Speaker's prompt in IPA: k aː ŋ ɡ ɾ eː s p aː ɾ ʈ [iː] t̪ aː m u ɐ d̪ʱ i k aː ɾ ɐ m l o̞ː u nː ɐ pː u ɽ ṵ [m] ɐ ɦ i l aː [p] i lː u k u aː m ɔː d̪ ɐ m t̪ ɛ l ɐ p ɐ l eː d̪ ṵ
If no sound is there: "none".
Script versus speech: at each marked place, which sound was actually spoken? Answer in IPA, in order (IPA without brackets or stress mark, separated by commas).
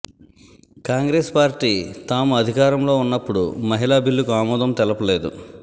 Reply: iː, m, b